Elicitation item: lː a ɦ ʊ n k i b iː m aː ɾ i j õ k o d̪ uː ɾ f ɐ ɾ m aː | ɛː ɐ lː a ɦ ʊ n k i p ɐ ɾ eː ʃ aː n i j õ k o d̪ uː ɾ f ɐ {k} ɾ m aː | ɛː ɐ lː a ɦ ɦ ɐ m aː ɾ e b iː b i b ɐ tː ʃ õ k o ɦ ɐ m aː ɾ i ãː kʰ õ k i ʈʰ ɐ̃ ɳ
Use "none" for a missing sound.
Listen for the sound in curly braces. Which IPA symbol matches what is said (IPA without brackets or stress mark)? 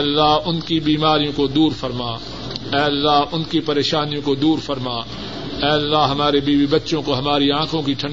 none